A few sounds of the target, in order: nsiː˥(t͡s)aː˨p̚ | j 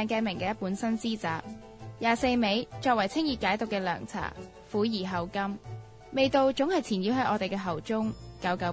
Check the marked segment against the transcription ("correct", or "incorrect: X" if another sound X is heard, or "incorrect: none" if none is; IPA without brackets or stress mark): correct